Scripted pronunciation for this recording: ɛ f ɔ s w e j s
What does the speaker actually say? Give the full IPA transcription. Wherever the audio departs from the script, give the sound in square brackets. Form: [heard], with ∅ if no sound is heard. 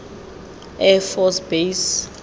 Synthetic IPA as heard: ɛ f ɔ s [b] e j s